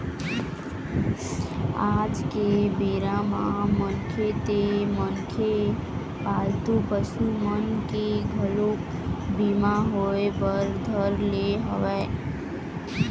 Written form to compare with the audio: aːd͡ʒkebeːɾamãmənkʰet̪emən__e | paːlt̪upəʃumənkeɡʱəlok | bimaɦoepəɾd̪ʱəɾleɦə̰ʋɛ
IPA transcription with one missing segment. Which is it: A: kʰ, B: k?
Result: A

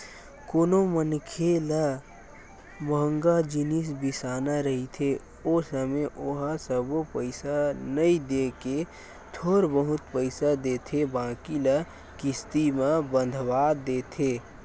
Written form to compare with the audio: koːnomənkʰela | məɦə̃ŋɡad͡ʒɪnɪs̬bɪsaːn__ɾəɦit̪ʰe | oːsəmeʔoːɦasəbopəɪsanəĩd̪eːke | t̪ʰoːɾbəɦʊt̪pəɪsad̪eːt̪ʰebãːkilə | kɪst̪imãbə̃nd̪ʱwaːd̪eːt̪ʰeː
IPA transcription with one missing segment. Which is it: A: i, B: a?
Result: B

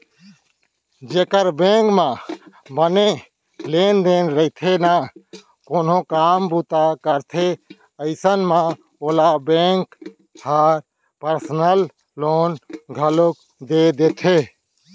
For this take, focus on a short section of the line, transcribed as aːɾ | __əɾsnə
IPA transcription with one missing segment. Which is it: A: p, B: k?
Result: A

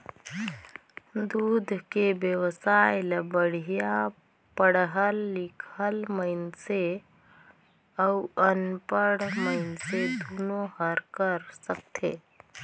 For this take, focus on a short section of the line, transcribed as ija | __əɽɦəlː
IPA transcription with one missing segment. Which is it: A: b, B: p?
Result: B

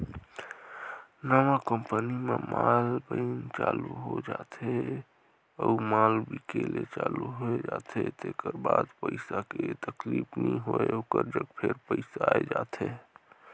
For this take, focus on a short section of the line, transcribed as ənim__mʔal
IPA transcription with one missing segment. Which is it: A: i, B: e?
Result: B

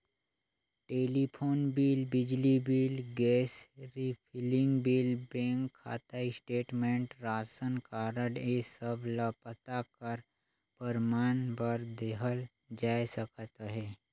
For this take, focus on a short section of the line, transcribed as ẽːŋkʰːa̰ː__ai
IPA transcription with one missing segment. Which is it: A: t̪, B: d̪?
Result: A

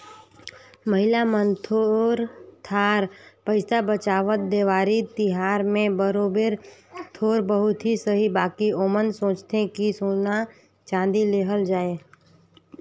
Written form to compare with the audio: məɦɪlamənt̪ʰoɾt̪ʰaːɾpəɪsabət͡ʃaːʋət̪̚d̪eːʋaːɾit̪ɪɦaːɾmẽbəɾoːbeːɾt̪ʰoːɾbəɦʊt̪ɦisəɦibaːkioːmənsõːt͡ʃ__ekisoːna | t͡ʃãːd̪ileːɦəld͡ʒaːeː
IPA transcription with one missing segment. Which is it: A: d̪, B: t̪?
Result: B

